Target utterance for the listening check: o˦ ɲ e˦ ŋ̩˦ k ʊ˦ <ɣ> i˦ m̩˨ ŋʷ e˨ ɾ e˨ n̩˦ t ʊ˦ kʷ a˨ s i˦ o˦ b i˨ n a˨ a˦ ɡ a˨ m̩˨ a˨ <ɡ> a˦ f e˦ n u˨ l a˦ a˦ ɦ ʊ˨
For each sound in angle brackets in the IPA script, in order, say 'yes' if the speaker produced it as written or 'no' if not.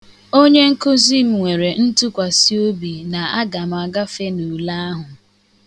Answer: no, yes

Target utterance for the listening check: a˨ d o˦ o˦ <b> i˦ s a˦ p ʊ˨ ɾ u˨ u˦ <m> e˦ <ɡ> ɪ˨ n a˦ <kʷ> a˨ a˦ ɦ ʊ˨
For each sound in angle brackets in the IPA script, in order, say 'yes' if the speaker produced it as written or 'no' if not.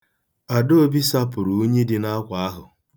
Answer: yes, no, no, yes

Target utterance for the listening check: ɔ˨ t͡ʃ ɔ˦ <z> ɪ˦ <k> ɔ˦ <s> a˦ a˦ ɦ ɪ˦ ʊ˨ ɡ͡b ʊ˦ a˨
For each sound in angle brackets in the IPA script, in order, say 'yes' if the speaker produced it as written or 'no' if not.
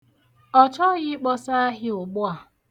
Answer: no, no, yes

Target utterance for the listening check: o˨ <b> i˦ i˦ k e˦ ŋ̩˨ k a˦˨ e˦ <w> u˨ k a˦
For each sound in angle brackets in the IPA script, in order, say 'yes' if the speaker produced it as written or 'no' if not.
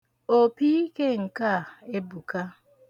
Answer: no, no

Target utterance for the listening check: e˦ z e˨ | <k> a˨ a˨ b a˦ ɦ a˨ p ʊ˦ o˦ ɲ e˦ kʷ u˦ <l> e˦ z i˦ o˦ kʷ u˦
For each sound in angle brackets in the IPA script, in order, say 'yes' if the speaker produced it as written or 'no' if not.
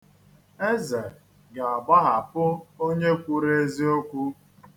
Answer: no, no

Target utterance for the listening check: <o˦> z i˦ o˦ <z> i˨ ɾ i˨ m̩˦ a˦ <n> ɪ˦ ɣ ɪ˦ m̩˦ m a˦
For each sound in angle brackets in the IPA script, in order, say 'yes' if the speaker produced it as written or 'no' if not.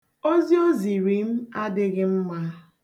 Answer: yes, yes, no

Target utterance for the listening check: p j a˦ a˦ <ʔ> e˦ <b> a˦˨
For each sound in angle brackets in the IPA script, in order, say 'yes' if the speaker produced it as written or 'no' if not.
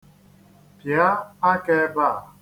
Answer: no, yes

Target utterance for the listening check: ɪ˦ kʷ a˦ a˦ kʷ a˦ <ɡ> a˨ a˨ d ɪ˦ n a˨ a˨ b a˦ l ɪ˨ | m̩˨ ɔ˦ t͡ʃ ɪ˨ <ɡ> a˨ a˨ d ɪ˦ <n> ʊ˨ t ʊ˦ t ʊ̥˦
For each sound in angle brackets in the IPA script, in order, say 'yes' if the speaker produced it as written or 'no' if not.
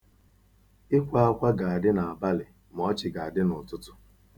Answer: yes, yes, yes

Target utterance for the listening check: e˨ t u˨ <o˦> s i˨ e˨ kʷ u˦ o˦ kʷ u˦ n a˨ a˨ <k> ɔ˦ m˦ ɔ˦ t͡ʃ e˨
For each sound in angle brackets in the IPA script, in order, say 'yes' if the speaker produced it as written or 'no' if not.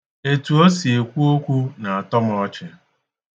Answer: yes, no

